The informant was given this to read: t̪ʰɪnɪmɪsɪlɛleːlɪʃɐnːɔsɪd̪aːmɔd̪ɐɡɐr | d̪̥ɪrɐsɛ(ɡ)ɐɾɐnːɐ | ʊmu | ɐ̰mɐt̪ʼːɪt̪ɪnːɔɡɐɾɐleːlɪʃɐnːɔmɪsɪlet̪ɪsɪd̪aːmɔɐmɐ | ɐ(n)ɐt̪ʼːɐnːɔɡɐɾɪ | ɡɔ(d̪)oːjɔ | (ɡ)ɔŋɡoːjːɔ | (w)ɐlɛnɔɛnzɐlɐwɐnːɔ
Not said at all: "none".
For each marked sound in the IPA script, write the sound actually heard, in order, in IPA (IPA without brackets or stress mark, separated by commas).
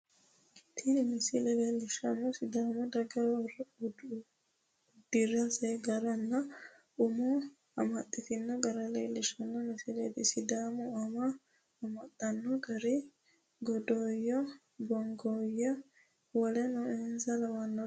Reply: ɡ, m, d̪, b, w